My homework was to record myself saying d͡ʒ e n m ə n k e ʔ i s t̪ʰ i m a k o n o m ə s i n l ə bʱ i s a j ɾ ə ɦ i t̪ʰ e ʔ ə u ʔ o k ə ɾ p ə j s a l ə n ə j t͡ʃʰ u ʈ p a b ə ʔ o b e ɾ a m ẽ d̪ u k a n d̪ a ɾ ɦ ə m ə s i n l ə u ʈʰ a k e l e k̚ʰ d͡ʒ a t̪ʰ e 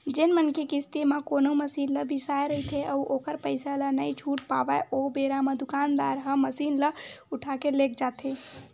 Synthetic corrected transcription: d͡ʒ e n m ə n k e k i s t̪ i m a k o n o m ə s i n l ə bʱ i s a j ɾ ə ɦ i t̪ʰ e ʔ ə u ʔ o k ə ɾ p ə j s a l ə n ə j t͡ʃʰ u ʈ p a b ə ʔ o b e ɾ a m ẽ d̪ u k a n d̪ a ɾ ɦ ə m ə s i n l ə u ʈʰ a k e l e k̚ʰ d͡ʒ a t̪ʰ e